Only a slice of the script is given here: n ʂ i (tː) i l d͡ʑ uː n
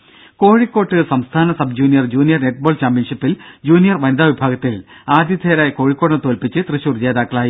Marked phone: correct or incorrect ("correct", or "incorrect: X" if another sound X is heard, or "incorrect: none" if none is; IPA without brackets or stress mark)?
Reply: incorrect: pː